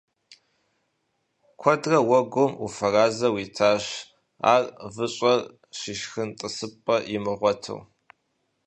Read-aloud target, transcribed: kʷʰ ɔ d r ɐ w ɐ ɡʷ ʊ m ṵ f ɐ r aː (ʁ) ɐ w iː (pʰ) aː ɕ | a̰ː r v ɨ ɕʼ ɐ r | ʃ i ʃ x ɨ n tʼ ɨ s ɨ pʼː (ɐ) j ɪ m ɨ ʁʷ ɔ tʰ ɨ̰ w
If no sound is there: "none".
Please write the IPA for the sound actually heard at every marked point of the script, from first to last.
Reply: z, tʰ, ɐ

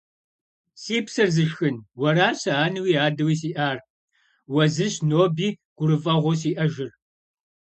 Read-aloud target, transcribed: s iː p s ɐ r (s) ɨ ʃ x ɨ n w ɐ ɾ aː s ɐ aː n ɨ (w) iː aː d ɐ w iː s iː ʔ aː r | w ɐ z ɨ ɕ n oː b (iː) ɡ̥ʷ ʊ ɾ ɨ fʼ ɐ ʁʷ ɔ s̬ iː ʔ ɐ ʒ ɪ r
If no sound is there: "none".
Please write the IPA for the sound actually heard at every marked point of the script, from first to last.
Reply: z, w, iː

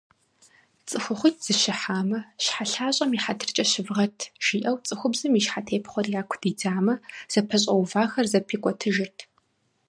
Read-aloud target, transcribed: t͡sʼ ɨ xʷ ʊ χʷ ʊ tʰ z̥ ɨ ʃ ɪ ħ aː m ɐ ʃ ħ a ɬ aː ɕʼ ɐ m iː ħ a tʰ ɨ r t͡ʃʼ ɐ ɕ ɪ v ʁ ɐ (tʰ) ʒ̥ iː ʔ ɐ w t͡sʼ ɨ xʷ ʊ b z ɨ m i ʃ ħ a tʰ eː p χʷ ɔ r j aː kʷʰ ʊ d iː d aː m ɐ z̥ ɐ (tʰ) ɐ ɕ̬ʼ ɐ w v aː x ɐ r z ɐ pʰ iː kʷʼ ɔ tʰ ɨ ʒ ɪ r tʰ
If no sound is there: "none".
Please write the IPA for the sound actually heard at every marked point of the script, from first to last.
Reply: tʰ, pʰ

